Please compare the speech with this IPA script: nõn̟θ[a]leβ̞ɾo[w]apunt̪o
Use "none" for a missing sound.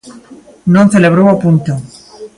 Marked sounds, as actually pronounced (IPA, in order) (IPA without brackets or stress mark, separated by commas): e, w